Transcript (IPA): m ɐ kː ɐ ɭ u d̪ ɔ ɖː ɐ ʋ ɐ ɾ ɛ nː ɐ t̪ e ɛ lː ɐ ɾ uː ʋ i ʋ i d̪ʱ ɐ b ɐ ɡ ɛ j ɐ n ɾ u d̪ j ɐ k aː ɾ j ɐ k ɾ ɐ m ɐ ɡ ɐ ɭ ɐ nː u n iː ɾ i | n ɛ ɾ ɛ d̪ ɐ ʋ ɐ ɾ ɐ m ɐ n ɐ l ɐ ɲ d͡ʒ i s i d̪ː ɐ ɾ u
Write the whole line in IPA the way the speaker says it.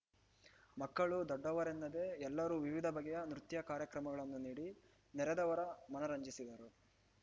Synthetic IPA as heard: m ɐ kː ɐ ɭ u d̪ ɔ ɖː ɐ ʋ ɐ ɾ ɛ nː ɐ d̪ e ɛ lː ɐ ɾ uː ʋ i ʋ i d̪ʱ ɐ b ɐ ɡ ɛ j ɐ n ɾ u t̪ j ɐ k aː ɾ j ɐ k ɾ ɐ m ɐ ɡ ɐ ɭ ɐ nː u n iː ɽ i | n ɛ ɾ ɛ d̪ ɐ ʋ ɐ ɾ ɐ m ɐ n ɐ ɾ ɐ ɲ d͡ʒ i s i d̪ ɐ ɾ u

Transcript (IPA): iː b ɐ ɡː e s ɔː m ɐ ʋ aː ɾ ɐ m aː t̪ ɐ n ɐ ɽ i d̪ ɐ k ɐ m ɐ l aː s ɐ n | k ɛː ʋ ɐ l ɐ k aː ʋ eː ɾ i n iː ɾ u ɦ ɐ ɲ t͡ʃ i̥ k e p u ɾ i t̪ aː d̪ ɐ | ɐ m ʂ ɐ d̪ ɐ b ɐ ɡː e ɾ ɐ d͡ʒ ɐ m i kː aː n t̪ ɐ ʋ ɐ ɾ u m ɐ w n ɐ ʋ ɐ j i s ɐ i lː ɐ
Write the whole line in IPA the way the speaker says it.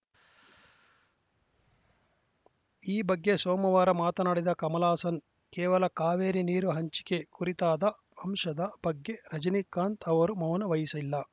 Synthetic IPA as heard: iː b ɐ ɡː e s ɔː m ɐ ʋ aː ɾ ɐ m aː t̪ ɐ n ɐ ɽ i d̪ ɐ k ɐ m ɐ l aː s ɐ n | k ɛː ʋ ɐ l ɐ k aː ʋ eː ɾ i n iː ɾ u ɦ ɐ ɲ t͡ʃ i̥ k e k u ɾ i t̪ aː d̪ ɐ | ɐ m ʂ ɐ d̪ ɐ b ɐ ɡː e ɾ ɐ d͡ʒ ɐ n i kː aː n t̪ ɐ ʋ ɐ ɾ u m ɐ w n ɐ ʋ ɐ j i s ɐ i lː ɐ

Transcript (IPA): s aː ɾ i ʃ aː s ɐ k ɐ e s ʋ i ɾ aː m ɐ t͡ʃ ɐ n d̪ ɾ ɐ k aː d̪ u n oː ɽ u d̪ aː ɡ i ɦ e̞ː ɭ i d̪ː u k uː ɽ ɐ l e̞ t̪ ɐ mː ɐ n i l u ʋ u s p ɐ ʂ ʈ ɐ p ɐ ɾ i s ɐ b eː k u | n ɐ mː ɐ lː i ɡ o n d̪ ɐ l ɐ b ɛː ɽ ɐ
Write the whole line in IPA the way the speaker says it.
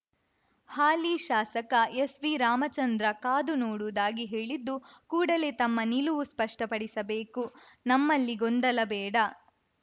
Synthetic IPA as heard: h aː l i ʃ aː s ɐ k ɐ e s ʋ i ɾ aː m ɐ t͡ʃ ɐ n d̪ ɾ ɐ k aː d̪ u n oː ɽ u d̪ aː ɡ i ɦ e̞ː ɭ i d̪ː u k uː ɽ ɐ l e̞ t̪ ɐ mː ɐ n i l u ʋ u s p ɐ ʂ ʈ ɐ p ɐ ɽ i s ɐ b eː k u | n ɐ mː ɐ lː i ɡ o n d̪ ɐ l ɐ b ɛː ɽ ɐ

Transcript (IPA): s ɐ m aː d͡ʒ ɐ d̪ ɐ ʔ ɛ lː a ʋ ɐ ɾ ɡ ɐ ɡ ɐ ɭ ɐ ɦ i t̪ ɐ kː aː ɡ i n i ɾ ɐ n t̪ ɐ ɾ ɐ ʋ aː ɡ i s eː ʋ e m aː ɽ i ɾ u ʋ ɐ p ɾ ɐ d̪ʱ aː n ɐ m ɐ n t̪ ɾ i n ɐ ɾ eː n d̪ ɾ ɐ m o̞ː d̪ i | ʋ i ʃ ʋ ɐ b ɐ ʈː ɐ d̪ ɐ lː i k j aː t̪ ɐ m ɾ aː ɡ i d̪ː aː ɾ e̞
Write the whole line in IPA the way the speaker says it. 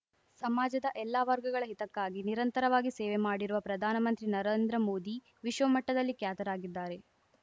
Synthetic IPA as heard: s ɐ m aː d͡ʒ ɐ d̪ ɐ ʔ ɛ lː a ʋ ɐ ɾ ɡ ɐ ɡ ɐ ɭ ɐ ɦ i t̪ ɐ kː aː ɡ i n i ɾ ɐ n t̪ ɐ ɾ ɐ ʋ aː ɡ i s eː ʋ e m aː ɽ i ɾ u ʋ ɐ p ɾ ɐ d̪ʱ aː n ɐ m ɐ n t̪ ɾ i n ɐ ɾ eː n d̪ ɾ ɐ m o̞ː d̪ i | ʋ i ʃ ʋ ɐ m ɐ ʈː ɐ d̪ ɐ lː i k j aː t̪ ɐ ɾ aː ɡ i d̪ː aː ɾ e̞

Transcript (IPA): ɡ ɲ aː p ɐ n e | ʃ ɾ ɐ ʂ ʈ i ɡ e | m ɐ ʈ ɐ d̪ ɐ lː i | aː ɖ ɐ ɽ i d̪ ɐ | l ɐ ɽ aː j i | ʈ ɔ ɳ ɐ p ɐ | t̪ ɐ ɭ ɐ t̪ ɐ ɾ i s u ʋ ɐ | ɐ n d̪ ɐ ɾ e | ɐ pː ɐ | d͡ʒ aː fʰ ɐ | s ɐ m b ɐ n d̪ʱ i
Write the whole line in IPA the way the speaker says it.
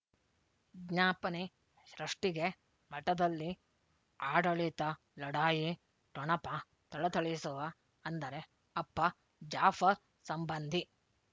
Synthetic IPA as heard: ɡ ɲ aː p ɐ n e | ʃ ɾ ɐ ʂ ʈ i ɡ e | m ɐ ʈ ɐ d̪ ɐ lː i | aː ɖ ɐ ɭ i t̪ ɐ | l ɐ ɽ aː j i | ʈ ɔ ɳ ɐ p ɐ | t̪ ɐ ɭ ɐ t̪ ɐ ɭ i s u ʋ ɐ | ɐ n d̪ ɐ ɾ e | ɐ pː ɐ | d͡ʒ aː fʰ ɐ | s ɐ m b ɐ n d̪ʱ i

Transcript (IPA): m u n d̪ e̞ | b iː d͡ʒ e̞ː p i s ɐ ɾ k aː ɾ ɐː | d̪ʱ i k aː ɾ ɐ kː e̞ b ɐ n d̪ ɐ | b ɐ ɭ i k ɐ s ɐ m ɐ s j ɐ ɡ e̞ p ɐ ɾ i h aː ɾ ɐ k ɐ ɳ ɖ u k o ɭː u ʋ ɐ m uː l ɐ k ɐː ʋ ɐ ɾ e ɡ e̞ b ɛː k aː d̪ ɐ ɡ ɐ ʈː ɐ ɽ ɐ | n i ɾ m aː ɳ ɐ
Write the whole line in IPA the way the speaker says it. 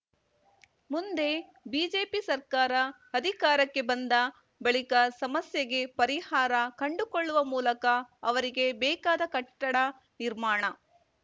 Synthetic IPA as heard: m u n d̪ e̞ | b iː d͡ʒ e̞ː p i s ɐ ɾ k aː ɾ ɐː | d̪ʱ i k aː ɾ ɐ kː e̞ b ɐ n d̪ ɐ | b ɐ ɭ i k ɐ s ɐ m ɐ s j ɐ ɡ e̞ p ɐ ɾ i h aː ɾ ɐ k ɐ ɳ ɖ u k o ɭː u ʋ ɐ m uː l ɐ k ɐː ʋ ɐ ɾ i ɡ e̞ b ɛː k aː d̪ ɐ k ɐ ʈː ɐ ɽ ɐ | n i ɾ m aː ɳ ɐ

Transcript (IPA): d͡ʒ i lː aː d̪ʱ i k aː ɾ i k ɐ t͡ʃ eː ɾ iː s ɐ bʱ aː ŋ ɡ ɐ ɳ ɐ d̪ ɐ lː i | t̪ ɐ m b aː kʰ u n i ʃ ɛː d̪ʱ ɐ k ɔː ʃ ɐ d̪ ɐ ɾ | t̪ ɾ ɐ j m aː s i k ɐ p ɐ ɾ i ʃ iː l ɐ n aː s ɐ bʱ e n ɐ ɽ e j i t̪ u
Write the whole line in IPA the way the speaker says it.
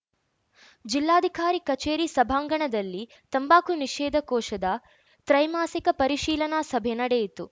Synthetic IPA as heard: d͡ʒ i lː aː d̪ʱ i k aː ɾ i k ɐ t͡ʃ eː ɾ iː s ɐ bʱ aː ŋ ɡ ɐ ɳ ɐ d̪ ɐ lː i | t̪ ɐ m b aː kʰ u n i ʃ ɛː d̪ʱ ɐ k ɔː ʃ ɐ d̪ ɐ | t̪ ɾ ɐ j m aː s i k ɐ p ɐ ɾ i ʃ iː l ɐ n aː s ɐ bʱ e n ɐ ɽ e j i t̪ u

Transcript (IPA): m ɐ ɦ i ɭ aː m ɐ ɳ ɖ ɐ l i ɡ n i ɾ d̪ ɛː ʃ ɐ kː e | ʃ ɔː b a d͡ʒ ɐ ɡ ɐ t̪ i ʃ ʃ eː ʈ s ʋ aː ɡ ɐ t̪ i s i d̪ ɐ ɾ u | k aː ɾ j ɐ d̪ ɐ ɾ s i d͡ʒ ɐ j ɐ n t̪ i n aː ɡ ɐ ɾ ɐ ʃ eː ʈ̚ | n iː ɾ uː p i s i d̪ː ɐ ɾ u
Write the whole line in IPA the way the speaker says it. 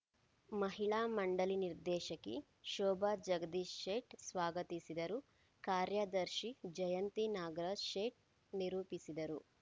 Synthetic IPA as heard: m ɐ ɦ i ɭ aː m ɐ ɳ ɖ ɐ l i n i ɾ d̪ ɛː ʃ ɐ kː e | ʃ ɔː b a d͡ʒ ɐ ɡ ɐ d̪ i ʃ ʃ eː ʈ s ʋ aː ɡ ɐ t̪ i s i d̪ ɐ ɾ u | k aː ɾ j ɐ d̪ ɐ ɾ ʃ i d͡ʒ ɐ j ɐ n t̪ i n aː ɡ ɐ ɾ ɐ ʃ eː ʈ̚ | n i ɾ uː p i s i d̪ ɐ ɾ u

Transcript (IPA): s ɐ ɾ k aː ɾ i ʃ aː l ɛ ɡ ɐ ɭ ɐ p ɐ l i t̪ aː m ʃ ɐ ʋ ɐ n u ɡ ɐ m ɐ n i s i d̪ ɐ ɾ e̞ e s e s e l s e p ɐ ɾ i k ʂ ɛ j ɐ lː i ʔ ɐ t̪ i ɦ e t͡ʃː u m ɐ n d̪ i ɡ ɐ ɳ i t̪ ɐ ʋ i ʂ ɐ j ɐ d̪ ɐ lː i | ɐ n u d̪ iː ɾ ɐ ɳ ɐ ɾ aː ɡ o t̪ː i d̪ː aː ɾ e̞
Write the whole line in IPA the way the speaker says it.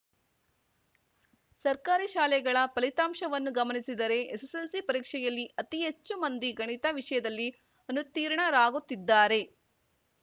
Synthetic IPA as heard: s ɐ ɾ k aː ɾ i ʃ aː l ɛ ɡ ɐ ɭ ɐ p ɐ l i t̪ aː m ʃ ɐ ʋ ɐ nː u ɡ ɐ m ɐ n i s i d̪ ɐ ɾ e̞ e s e s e l s i p ɐ ɾ iː k ʂ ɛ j ɐ lː i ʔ ɐ t̪ i ɦ e t͡ʃː u m ɐ n d̪ i ɡ ɐ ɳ i t̪ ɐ ʋ i ʂ ɐ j ɐ d̪ ɐ lː i | ɐ n u t̪ iː ɾ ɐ ɳ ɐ ɾ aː ɡ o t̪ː i d̪ː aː ɾ e̞

